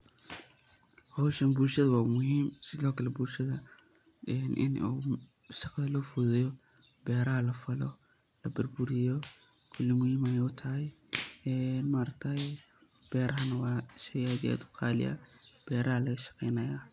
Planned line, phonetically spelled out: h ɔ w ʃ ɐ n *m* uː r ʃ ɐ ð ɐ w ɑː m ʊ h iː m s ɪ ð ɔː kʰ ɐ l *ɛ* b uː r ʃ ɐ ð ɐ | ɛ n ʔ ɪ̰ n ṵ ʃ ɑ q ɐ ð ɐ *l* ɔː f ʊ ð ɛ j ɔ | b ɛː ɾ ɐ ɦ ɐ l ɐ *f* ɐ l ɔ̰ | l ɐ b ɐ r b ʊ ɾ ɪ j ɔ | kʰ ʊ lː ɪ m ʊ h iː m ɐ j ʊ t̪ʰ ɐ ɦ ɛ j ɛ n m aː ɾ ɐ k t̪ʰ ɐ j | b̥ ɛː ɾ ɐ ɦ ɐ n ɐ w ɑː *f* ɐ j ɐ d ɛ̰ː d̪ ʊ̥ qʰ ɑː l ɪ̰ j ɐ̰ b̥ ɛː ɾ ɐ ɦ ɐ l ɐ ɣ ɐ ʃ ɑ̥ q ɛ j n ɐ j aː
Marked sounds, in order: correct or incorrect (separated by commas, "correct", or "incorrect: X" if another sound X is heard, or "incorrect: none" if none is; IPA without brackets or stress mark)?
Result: incorrect: b, correct, correct, correct, incorrect: ʃ